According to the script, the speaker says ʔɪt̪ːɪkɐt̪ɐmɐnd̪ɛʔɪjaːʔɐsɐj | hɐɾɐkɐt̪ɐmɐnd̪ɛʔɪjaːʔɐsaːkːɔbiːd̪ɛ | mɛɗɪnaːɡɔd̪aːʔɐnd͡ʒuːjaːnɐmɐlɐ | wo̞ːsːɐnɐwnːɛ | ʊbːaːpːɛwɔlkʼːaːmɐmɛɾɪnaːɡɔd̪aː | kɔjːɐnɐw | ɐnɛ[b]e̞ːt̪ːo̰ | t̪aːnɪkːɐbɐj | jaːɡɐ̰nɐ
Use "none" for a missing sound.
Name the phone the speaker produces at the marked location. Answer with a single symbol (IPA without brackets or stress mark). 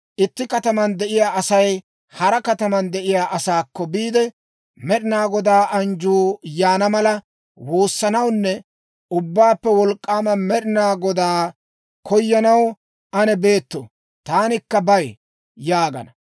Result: b